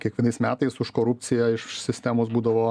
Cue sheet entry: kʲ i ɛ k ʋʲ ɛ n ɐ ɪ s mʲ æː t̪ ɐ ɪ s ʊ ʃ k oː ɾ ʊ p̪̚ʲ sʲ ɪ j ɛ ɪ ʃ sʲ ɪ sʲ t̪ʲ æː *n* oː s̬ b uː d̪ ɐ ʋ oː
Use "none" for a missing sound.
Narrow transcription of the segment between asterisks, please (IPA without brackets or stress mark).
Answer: m